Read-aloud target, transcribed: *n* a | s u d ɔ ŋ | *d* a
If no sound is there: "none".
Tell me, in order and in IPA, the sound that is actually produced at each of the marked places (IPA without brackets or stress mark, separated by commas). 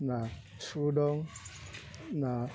n, n